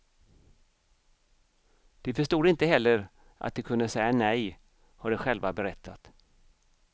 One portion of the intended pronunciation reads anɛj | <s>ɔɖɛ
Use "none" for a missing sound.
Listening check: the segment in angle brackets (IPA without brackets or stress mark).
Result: h